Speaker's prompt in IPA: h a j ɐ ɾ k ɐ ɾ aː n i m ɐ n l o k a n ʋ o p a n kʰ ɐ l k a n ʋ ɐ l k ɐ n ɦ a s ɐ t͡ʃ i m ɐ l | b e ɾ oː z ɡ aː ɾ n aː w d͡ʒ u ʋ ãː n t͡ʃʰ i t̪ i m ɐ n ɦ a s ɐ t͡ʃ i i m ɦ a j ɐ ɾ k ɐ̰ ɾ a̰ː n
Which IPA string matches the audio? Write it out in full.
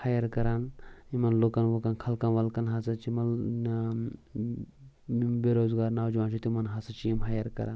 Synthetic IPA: h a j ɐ ɾ k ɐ ɾ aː n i m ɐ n l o k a n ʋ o k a n kʰ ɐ l k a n ʋ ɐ l k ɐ n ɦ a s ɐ t͡ʃ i m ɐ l | b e ɾ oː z ɡ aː ɾ n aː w d͡ʒ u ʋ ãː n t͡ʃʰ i t̪ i m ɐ n ɦ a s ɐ t͡ʃ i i m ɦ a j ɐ ɾ k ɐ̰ ɾ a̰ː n